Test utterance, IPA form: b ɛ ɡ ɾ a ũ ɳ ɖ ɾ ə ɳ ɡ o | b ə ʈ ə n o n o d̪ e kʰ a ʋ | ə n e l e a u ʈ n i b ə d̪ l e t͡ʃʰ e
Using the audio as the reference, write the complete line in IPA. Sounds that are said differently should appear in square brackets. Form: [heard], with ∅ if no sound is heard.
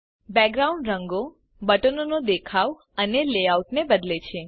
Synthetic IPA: b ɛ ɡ ɾ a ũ ɳ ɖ ɾ ə [ŋ] ɡ o | b ə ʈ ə n o n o d̪ e kʰ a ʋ | ə n e l e a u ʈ n [e] b ə d̪ l e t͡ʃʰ e